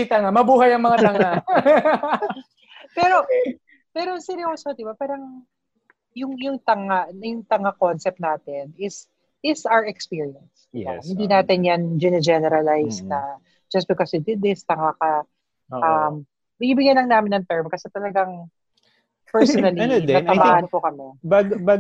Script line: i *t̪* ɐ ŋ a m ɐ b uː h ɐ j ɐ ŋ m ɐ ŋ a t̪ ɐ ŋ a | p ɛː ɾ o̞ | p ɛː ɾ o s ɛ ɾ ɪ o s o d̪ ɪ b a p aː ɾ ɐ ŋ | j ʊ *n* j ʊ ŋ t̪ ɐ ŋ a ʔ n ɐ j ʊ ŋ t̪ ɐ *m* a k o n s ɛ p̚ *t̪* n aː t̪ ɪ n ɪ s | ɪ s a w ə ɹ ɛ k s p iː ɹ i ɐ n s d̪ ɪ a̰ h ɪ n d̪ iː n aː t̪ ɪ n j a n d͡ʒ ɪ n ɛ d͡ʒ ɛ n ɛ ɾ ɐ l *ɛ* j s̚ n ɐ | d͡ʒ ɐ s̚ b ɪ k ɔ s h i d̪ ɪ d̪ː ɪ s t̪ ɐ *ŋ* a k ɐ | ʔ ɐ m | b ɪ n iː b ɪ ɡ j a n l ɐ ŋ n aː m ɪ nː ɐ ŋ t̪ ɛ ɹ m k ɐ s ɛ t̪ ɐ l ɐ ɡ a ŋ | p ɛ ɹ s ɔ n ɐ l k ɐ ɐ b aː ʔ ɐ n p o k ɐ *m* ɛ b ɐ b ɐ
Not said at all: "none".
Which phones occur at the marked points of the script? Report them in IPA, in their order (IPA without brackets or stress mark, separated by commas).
t̪, ŋ, ŋ, t̪, a, ŋ, m